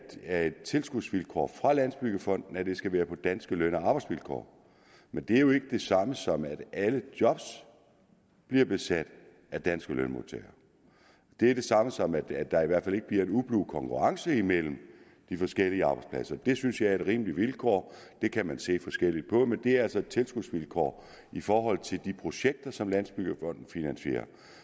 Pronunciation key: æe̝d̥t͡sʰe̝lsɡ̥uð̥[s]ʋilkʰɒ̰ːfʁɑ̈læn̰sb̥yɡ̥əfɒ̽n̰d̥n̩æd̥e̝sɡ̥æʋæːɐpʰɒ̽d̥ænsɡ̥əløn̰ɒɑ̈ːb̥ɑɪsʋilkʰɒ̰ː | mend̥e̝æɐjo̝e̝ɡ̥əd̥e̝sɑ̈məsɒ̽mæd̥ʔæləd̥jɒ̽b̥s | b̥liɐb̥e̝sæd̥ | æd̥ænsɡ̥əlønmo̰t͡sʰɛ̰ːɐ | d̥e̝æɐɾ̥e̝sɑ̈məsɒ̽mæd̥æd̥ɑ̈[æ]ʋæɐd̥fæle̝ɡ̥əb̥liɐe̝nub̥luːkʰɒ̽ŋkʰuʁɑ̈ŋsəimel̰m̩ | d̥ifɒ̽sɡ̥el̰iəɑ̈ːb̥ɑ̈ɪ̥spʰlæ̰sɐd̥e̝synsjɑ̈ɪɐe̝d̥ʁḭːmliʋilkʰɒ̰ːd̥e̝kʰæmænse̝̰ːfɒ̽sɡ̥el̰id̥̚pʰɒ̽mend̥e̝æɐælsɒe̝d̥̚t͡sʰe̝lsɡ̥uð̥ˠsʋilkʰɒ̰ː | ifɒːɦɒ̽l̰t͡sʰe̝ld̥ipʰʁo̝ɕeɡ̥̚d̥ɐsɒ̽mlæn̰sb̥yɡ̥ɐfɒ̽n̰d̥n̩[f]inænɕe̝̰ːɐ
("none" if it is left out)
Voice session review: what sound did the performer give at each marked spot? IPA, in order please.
s, i, f

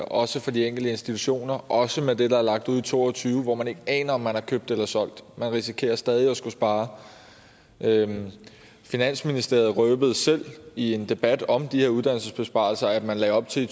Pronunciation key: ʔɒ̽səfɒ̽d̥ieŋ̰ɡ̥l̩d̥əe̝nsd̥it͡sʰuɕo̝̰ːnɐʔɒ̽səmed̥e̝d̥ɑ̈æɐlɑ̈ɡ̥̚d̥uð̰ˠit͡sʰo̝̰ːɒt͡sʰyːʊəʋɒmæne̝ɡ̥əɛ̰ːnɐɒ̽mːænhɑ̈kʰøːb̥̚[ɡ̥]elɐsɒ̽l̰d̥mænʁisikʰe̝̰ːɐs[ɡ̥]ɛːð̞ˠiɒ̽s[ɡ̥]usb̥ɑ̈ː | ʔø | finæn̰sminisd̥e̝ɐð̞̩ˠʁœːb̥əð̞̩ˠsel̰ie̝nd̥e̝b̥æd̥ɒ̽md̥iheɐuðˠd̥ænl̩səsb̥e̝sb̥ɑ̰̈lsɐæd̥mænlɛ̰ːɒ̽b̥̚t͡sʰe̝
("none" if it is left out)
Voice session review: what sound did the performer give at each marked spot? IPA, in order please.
d̥, d̥, ɡ̥

